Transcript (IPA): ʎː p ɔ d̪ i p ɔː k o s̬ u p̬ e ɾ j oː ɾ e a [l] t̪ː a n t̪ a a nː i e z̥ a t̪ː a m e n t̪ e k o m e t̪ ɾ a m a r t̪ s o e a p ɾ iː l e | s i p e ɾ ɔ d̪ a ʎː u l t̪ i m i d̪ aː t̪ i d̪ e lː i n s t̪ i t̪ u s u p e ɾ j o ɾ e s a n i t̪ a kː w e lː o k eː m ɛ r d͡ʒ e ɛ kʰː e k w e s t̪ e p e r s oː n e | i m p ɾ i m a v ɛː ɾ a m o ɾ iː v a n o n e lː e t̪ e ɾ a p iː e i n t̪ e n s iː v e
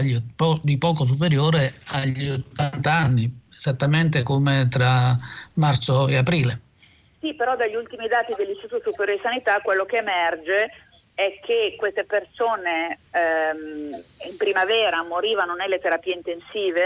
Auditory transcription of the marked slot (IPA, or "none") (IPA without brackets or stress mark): ʎ